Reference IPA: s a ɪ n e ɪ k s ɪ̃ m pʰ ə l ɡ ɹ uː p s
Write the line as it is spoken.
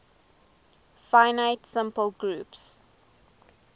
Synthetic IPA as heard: f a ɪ n a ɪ t s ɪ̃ m p ə l ɡ ɹ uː p s